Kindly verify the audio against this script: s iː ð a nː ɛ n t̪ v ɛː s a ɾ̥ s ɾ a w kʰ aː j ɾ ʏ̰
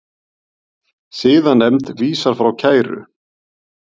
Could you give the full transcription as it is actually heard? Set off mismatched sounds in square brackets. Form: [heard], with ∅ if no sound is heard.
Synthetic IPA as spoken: s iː ð a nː ɛ [m] t̪ v [iː] s a ɾ̥ [f] ɾ a w [cʰ] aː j ɾ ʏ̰